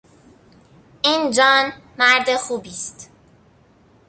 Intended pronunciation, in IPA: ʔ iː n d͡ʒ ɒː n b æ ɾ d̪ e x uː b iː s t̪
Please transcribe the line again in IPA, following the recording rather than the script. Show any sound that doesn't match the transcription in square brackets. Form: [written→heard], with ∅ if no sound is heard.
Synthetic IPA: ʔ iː n d͡ʒ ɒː n [b→m] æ ɾ d̪ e x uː b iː s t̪